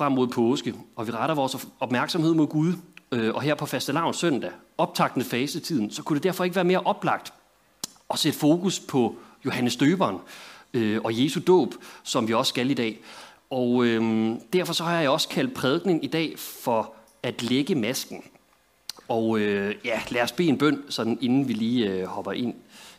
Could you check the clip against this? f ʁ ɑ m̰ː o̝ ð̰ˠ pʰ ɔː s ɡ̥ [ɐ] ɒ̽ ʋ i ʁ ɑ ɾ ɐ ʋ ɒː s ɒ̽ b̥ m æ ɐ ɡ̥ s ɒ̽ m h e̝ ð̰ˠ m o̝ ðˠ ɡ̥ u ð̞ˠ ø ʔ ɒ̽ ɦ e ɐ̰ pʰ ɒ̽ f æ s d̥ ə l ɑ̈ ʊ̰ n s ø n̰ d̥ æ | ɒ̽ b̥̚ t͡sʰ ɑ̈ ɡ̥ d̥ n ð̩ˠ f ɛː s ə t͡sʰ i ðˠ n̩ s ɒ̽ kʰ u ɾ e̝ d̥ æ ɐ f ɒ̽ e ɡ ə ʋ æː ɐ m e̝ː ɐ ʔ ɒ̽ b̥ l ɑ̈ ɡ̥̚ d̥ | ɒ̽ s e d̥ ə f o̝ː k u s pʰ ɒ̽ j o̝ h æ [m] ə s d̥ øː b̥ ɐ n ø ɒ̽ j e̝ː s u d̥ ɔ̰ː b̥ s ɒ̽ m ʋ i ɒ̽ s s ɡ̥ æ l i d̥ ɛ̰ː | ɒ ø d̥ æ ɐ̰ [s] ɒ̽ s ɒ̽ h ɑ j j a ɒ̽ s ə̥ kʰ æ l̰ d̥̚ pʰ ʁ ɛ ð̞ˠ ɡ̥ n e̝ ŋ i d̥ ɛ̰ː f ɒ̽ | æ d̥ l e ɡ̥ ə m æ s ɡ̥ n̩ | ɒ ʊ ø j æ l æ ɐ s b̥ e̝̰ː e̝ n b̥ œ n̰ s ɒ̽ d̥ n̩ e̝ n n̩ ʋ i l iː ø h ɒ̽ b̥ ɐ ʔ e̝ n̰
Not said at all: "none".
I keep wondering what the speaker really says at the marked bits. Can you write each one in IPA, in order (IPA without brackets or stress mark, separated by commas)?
ə, n, f